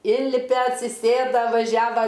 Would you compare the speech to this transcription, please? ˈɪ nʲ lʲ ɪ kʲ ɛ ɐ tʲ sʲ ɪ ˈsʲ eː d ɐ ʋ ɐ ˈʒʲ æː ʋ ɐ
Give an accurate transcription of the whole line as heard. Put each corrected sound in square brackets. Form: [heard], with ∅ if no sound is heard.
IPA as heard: ˈɪ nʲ lʲ ɪ [pʲ] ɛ ɐ tʲ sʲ ɪ ˈsʲ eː d ɐ ʋ ɐ ˈʒʲ æː ʋ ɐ

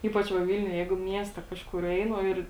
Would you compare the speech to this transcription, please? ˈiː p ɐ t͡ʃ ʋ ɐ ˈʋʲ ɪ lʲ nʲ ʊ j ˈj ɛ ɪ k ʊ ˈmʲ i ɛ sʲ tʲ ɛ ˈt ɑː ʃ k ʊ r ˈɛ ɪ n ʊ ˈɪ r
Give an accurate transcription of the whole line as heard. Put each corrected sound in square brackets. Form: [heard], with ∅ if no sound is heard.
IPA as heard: ˈiː p ɐ t͡ʃ ʋ ɐ ˈʋʲ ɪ lʲ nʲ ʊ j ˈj ɛ ɪ [ɡ] ʊ ˈmʲ i ɛ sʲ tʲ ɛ [ˈk] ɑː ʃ k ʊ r ˈɛ ɪ n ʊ ˈɪ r

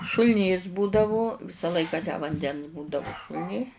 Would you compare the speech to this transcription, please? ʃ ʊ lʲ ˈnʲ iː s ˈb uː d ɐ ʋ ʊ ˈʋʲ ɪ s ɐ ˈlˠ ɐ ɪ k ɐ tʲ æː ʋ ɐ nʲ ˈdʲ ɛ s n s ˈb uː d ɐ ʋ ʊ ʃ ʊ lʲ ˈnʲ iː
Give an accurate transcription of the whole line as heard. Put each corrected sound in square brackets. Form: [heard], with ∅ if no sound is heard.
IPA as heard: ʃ ʊ lʲ ˈnʲ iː s ˈb uː d ɐ ʋ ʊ ˈʋʲ ɪ s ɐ ˈlˠ ɐ ɪ k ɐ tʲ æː ʋ ɐ nʲ ˈdʲ ɛ [∅] n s ˈb uː d ɐ ʋ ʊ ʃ ʊ lʲ ˈnʲ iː

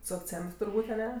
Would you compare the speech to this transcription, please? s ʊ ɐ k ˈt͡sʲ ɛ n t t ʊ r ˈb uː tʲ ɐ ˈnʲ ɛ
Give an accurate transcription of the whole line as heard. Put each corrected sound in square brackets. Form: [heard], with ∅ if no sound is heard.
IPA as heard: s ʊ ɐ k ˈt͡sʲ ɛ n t t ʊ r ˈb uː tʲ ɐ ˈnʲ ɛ

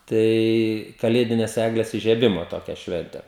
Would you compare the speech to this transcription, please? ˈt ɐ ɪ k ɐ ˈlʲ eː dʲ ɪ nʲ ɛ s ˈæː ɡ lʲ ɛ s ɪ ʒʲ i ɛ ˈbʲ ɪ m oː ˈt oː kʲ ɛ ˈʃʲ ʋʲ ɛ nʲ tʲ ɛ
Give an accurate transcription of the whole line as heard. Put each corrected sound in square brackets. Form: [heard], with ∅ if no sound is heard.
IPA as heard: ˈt ɐ ɪ k ɐ ˈlʲ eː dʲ ɪ nʲ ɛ s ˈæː ɡ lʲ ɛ s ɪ ʒʲ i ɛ ˈbʲ ɪ m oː ˈt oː kʲ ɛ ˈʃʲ ʋʲ ɛ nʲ tʲ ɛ

